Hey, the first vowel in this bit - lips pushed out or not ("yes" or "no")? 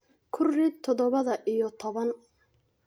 yes